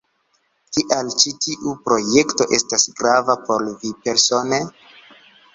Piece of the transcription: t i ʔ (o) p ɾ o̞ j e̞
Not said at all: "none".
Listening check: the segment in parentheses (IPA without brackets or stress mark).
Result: u